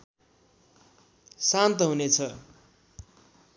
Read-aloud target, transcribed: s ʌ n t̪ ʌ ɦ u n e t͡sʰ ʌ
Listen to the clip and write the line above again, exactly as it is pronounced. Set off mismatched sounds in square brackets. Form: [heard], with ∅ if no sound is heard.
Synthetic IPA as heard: s [a] n t̪ ʌ ɦ u n e t͡sʰ ʌ